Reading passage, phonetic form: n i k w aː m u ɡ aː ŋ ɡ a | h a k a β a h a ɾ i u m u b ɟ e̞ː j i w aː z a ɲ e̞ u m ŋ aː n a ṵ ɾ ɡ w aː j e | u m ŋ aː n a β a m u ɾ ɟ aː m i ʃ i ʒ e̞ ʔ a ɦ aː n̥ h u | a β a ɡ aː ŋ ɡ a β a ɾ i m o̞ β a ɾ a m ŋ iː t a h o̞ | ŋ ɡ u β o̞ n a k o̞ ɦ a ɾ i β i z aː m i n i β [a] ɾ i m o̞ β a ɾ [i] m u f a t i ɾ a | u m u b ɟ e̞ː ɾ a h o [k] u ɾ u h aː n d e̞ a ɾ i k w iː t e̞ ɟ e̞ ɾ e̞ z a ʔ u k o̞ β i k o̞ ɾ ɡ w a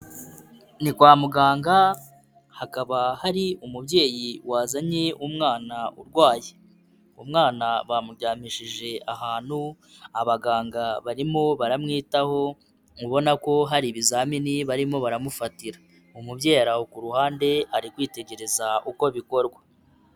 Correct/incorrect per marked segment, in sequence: correct, incorrect, correct

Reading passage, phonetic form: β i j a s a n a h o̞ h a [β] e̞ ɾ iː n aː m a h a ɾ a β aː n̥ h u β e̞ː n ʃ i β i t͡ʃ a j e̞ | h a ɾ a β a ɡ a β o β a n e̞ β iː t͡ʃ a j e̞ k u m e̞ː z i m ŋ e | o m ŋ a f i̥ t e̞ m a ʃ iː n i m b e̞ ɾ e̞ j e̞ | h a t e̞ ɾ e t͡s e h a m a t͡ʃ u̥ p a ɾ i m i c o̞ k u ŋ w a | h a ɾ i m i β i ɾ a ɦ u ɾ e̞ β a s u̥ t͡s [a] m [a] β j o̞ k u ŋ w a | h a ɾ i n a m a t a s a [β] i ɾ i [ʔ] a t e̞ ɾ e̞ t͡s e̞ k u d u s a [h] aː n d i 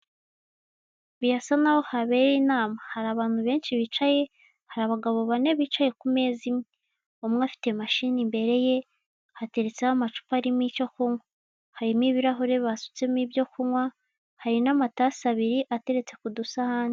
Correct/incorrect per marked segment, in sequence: correct, incorrect, incorrect, correct, correct, correct

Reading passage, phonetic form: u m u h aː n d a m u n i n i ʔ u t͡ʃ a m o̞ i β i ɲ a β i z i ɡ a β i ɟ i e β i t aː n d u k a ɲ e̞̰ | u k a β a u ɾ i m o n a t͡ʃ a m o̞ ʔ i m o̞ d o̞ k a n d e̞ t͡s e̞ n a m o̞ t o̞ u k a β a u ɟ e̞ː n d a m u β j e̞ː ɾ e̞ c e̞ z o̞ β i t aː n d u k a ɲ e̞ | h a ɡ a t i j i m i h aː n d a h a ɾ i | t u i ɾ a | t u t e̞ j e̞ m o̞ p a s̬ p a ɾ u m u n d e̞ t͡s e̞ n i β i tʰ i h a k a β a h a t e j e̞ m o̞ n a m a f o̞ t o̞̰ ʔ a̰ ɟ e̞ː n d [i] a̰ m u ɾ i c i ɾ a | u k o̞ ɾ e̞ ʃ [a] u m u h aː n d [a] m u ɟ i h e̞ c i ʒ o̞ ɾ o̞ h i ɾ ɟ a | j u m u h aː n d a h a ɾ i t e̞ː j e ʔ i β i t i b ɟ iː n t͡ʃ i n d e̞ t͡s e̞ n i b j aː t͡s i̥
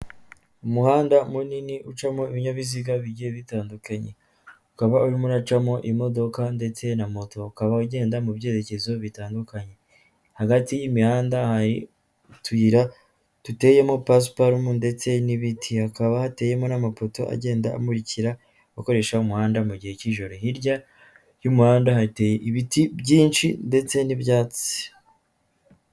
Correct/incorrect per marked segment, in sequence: incorrect, correct, correct

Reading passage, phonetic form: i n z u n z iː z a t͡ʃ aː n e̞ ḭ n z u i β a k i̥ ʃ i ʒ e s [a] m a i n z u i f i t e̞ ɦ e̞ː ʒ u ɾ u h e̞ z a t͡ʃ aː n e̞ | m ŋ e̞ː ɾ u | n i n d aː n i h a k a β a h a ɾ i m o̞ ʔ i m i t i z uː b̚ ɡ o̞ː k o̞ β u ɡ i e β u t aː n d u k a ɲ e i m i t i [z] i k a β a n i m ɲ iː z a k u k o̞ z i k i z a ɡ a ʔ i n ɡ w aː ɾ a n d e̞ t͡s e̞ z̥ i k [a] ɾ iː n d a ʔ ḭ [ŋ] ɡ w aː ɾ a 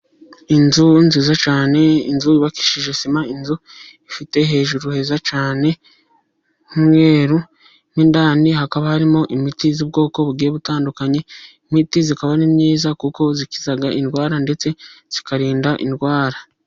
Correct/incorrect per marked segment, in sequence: incorrect, correct, correct, incorrect

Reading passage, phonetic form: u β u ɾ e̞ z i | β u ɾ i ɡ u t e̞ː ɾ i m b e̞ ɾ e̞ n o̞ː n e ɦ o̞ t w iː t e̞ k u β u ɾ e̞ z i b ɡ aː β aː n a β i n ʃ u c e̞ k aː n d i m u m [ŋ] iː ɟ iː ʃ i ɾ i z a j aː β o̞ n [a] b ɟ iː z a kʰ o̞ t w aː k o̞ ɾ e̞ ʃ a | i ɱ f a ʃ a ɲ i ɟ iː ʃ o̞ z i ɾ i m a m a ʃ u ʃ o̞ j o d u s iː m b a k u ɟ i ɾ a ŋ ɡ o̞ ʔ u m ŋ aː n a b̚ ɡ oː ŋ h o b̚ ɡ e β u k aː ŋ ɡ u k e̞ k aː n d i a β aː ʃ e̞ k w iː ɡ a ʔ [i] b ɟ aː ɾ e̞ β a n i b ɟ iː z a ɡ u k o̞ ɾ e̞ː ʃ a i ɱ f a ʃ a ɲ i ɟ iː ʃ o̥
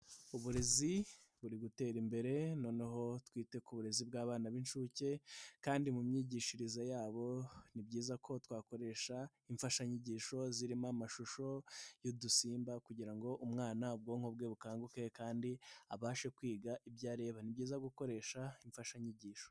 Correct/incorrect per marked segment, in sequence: incorrect, incorrect, correct

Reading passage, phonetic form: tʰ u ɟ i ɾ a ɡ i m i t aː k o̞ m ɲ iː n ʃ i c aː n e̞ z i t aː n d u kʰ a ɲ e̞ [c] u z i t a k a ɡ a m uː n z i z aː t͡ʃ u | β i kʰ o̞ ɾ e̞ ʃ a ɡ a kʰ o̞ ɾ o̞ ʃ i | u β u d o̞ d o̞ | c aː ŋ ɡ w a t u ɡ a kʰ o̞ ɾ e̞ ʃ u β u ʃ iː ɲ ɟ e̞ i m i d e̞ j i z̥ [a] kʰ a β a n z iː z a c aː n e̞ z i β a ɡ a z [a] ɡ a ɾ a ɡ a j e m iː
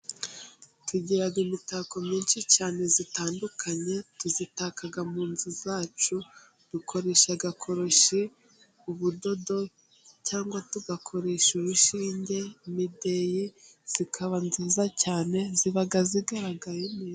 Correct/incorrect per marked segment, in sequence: incorrect, incorrect, incorrect

